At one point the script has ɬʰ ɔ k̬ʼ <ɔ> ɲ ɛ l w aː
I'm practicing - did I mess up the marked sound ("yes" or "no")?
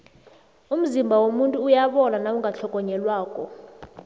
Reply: no